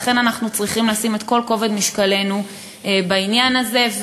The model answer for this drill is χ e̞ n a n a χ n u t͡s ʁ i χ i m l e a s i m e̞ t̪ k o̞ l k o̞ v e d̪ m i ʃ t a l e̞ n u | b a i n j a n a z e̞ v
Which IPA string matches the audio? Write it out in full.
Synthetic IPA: χ e̞ n a n a χ n u t͡s ʁ i χ i m l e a s i m e̞ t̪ k o̞ l k o̞ v e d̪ m i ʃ k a l e̞ n u | b a i n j a n a z e̞ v